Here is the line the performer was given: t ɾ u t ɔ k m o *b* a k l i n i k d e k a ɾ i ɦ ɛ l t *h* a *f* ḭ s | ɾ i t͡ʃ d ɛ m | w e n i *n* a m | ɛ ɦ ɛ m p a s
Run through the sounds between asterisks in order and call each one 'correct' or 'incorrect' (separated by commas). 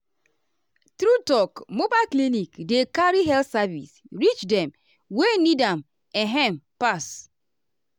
correct, incorrect, incorrect, incorrect